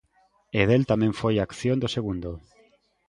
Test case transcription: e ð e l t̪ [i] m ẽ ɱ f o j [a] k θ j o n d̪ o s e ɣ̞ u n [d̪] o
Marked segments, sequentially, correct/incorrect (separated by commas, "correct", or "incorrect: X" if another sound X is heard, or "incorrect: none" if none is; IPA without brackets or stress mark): incorrect: a, correct, correct